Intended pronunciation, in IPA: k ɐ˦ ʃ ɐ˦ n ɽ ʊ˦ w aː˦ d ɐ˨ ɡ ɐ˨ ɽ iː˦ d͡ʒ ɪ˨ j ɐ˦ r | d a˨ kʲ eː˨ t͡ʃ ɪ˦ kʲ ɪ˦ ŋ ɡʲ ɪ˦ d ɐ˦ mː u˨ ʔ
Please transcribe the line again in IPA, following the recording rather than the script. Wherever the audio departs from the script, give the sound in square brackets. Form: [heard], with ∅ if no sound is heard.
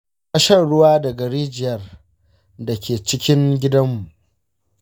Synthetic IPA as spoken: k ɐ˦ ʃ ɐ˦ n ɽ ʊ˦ w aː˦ d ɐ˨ ɡ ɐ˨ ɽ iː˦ d͡ʒ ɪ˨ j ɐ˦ r | d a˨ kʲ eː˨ t͡ʃ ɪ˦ kʲ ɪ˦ ŋ ɡʲ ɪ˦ d ɐ˦ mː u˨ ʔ

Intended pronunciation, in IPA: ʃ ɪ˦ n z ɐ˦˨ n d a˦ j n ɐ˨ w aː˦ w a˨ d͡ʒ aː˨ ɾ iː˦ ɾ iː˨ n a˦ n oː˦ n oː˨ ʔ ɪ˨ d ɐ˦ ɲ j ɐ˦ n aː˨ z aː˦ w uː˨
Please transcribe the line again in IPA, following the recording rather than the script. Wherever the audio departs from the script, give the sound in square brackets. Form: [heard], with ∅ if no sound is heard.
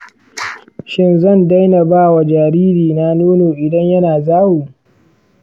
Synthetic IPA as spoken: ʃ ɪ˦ n z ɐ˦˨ n d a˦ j n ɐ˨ [b] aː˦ w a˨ d͡ʒ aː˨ ɾ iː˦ ɾ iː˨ n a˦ n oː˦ n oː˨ ʔ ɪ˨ d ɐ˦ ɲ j ɐ˦ n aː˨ z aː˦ w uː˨

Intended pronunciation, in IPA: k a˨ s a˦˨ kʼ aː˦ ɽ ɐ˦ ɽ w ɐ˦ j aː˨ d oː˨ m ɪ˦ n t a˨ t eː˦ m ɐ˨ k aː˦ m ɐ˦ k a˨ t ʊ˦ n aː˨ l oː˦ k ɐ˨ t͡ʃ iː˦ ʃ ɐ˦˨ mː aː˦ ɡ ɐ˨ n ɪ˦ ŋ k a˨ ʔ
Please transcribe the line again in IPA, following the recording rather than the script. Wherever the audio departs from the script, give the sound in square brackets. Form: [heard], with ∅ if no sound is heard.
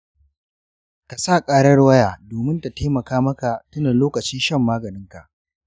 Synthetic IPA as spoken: k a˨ s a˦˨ kʼ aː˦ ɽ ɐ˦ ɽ w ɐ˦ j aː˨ d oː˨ m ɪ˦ n t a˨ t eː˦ m ɐ˨ k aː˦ m ɐ˦ k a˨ t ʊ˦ n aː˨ l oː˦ k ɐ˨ t͡ʃ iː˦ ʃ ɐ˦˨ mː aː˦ ɡ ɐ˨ n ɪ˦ ŋ k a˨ ʔ

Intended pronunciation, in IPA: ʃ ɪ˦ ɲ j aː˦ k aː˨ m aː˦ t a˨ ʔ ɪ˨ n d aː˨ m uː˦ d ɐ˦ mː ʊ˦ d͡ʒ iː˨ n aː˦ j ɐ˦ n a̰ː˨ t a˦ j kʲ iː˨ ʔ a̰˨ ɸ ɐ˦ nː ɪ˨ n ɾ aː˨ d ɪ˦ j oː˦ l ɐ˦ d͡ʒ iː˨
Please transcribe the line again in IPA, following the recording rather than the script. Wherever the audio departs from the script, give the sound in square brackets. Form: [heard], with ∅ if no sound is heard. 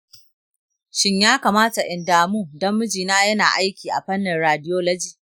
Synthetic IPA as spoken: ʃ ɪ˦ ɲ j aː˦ k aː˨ m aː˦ t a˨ ʔ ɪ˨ n d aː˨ m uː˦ d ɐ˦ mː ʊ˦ d͡ʒ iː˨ n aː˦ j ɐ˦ n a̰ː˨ [ʔ] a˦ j kʲ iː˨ ʔ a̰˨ ɸ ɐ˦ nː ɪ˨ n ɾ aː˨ d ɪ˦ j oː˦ l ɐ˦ d͡ʒ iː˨

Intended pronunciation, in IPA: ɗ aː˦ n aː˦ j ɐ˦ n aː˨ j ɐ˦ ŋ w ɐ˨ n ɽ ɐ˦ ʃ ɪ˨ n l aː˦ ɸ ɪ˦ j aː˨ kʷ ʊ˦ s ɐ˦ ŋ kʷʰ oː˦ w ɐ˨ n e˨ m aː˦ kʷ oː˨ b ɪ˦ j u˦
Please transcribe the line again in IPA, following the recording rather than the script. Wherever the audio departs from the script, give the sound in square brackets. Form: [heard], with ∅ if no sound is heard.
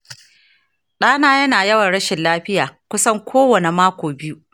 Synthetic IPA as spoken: ɗ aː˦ n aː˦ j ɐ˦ n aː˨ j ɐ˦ [∅] w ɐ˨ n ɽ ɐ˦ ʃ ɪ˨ n l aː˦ ɸ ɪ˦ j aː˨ kʷ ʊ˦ s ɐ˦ ŋ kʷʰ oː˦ w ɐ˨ n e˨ m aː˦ kʷ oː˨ b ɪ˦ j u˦

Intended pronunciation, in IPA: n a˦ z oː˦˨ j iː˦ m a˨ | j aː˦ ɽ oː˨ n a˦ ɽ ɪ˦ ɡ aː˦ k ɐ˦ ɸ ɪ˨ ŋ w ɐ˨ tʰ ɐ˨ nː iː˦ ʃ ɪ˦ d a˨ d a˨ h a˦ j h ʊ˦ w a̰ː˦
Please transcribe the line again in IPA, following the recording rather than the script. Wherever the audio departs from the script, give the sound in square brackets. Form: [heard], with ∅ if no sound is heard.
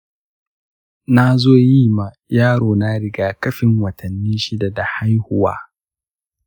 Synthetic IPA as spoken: n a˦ z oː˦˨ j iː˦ m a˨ | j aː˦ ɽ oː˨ n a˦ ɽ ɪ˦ ɡ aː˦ k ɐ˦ ɸ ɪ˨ ŋ w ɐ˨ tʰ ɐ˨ nː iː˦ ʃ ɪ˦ d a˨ d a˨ h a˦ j h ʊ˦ w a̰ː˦

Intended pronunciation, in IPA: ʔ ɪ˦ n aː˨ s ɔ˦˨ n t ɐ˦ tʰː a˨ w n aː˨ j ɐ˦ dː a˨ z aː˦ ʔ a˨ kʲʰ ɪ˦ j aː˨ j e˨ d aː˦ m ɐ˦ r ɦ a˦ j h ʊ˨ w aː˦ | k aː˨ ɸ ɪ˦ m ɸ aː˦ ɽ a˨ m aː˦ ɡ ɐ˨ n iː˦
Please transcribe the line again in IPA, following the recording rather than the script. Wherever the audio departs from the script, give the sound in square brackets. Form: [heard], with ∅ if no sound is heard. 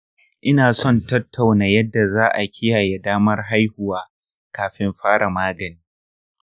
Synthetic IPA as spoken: ʔ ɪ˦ n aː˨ s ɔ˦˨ n t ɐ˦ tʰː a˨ w n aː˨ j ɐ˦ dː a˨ z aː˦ ʔ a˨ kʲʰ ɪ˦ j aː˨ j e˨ d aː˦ m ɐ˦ r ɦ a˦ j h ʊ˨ w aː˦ | k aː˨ ɸ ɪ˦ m ɸ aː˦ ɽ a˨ m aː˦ ɡ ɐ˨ n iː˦

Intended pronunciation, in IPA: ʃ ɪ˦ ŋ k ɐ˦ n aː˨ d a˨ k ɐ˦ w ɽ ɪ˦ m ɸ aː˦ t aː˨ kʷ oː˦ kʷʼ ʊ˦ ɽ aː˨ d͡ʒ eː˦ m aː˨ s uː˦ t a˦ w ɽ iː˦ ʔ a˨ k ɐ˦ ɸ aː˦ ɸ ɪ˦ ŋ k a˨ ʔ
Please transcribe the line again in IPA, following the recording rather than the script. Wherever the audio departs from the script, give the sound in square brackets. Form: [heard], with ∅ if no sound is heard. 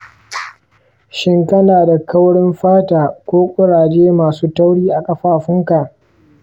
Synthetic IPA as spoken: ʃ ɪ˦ ŋ k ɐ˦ n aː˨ d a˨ k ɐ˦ w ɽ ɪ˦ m ɸ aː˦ t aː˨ kʷ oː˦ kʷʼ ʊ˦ ɽ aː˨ d͡ʒ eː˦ m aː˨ s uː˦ t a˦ w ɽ iː˦ ʔ a˨ [kʼ] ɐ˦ ɸ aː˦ ɸ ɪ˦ ŋ k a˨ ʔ

